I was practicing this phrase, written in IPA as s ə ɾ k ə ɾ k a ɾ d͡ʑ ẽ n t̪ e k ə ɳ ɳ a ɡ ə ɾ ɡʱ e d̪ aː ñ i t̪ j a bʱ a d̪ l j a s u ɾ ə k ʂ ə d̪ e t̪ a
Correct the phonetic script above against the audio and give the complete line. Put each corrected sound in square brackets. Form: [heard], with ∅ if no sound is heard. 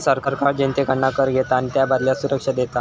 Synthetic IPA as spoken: s ə ɾ k ə ɾ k a ɾ d͡ʑ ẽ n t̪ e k ə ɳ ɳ a [k] ə ɾ ɡʱ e [t̪] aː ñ i t̪ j a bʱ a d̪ l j a s u ɾ ə k ʂ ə d̪ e t̪ a

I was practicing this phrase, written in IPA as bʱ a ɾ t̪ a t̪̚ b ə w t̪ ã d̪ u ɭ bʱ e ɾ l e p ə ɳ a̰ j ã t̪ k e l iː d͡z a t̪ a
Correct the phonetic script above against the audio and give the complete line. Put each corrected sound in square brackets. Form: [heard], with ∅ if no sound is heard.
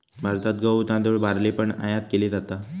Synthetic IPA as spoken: bʱ a ɾ t̪ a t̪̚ [ɡ] ə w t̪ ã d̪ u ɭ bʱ [a] ɾ l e p ə ɳ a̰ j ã t̪ k e l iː d͡z a t̪ a

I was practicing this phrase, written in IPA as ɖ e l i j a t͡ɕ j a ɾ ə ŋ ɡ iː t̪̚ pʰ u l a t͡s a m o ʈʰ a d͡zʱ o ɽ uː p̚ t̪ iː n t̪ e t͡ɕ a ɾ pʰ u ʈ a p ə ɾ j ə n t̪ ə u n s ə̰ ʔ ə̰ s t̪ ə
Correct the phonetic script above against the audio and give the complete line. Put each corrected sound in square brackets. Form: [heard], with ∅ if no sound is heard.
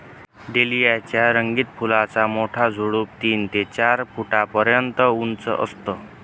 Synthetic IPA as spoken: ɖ e l i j a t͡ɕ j a ɾ ə ŋ ɡ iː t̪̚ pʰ u l a t͡s a m o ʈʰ a d͡zʱ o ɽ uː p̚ t̪ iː n t̪ e t͡ɕ a ɾ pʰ u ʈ a p ə ɾ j ə n t̪ ə u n [t͡s] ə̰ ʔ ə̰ s t̪ ə

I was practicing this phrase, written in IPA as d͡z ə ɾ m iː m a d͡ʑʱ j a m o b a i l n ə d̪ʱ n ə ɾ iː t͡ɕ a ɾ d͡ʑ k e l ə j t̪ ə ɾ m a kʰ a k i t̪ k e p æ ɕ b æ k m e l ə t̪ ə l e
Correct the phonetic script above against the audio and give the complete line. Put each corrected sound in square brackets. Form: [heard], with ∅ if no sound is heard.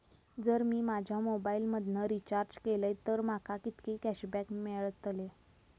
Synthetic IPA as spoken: d͡z ə ɾ m iː m a d͡ʑʱ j a m o b a i l [m] ə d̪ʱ n ə ɾ [i] t͡ɕ a ɾ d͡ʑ k e l ə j t̪ ə ɾ m a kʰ a k i t̪ k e [k] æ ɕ b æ k m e [ɭ] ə t̪ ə l e

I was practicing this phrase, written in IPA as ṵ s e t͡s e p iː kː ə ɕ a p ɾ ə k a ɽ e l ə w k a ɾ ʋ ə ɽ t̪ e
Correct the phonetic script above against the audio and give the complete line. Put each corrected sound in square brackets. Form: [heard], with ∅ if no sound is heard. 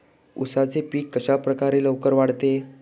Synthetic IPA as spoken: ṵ s [a] t͡s e p iː kː ə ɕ a p ɾ ə k a [ɾ] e l ə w k [ə] ɾ ʋ [a] ɽ t̪ e

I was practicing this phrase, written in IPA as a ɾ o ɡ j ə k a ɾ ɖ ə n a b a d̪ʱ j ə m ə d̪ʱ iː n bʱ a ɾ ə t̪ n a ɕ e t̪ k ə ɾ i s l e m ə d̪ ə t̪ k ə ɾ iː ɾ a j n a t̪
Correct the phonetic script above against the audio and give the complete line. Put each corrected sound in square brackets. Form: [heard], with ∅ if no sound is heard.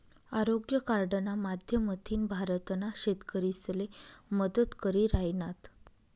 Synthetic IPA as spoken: a ɾ o ɡ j ə k a ɾ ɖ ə n a [m] a d̪ʱ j ə m ə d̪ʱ iː n bʱ a ɾ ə t̪ n a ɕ e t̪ k ə ɾ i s l e m ə d̪ ə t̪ k ə ɾ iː ɾ a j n a t̪

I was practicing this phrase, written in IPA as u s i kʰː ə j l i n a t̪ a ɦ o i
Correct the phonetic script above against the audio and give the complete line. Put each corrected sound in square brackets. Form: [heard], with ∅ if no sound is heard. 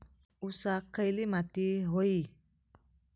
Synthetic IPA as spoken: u s [a] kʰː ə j l i [m] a t̪ [i] ɦ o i

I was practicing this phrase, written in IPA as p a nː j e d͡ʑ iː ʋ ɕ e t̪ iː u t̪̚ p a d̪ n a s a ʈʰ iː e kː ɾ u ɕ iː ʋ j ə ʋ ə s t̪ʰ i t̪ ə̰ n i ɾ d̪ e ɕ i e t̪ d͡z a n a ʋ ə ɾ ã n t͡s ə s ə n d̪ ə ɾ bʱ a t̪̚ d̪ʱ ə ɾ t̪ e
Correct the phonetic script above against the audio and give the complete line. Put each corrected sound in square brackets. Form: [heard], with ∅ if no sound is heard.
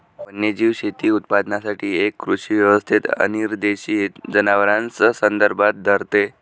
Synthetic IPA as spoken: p [ə] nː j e d͡ʑ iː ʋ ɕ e t̪ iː u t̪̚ p a d̪ n a s a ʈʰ iː e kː ɾ u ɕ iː ʋ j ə ʋ ə s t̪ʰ i t̪ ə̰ n i ɾ d̪ e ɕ i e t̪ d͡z [ə] n a ʋ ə ɾ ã n t͡s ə s ə n d̪ ə ɾ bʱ a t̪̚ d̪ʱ ə ɾ t̪ e

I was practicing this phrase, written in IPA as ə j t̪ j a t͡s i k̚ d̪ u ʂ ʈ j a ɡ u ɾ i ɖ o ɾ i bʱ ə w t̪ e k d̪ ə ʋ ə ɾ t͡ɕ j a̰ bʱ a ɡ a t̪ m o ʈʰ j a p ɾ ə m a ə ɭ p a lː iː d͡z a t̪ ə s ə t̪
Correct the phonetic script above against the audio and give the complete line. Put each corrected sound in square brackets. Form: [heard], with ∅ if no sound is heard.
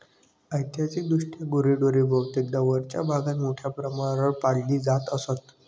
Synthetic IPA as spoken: ə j t̪ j a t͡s i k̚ d̪ u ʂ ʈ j a ɡ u ɾ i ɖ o ɾ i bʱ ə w t̪ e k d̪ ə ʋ ə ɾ t͡ɕ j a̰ bʱ a ɡ a t̪ m o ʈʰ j a p ɾ ə m a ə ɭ p a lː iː d͡z a t̪ ə s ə t̪

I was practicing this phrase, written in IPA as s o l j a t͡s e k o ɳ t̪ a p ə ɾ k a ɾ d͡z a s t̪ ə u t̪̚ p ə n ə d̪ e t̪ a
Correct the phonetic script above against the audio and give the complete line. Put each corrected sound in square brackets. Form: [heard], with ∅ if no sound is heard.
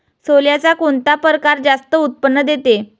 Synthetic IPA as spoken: s o l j a t͡s [a] k o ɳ t̪ a p ə ɾ k a ɾ d͡z a s t̪ ə u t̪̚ p ə [nː] ə d̪ e t̪ [e]

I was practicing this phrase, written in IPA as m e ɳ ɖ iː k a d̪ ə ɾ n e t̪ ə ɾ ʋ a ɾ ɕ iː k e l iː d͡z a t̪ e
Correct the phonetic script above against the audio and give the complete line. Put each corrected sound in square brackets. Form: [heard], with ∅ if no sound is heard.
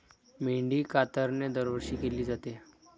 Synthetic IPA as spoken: m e ɳ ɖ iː k a [t̪] ə ɾ n e [d̪] ə ɾ ʋ [ə] ɾ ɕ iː k e l iː d͡z a t̪ e

